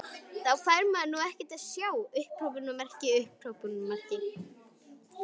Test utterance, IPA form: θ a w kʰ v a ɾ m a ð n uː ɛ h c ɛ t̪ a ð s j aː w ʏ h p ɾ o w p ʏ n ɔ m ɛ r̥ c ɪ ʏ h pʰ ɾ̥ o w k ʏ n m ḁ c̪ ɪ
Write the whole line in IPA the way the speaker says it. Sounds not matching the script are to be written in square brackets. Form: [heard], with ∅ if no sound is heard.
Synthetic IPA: θ a w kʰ v a ɾ m a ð n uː ɛ h c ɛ t̪ a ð s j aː w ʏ h p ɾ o w p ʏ n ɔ m ɛ r̥ c ɪ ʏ h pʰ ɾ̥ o w [p] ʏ n m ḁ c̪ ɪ